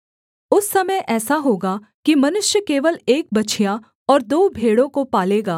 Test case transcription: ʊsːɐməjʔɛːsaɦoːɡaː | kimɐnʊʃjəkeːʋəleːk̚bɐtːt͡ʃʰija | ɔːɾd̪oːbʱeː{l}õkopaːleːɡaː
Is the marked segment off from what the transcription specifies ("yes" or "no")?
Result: yes